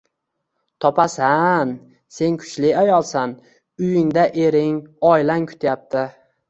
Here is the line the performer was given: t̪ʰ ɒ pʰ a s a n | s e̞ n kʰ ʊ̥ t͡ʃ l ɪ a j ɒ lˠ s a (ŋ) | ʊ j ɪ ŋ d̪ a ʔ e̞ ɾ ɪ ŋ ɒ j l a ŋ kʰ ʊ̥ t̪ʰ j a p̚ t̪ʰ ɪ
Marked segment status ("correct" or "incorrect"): incorrect